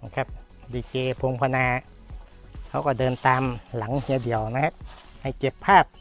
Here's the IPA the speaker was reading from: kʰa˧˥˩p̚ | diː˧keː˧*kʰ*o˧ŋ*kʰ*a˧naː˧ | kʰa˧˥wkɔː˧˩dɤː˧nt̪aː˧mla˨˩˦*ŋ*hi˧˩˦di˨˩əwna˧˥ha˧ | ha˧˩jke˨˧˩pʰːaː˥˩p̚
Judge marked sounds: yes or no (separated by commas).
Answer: no, no, yes